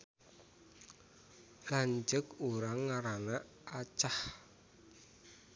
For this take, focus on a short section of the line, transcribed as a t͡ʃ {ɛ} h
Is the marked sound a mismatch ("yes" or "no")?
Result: yes